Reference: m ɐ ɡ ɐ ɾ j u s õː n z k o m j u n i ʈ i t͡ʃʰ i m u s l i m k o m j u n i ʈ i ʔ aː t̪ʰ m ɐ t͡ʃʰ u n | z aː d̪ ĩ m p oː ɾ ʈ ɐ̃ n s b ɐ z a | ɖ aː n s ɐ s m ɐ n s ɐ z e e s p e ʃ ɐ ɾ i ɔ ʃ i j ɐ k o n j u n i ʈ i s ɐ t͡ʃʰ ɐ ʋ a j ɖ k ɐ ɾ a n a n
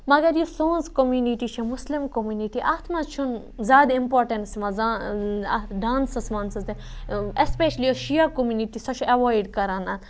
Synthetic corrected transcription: m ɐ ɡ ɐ ɾ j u s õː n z k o m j u n i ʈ i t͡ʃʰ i m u s l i m k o m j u n i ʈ i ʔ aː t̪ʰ m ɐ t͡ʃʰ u n | z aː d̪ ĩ m p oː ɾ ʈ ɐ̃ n s m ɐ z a | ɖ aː n s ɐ s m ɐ n s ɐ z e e s p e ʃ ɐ l i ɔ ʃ i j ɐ k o m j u n i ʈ i s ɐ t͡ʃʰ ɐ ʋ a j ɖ k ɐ ɾ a n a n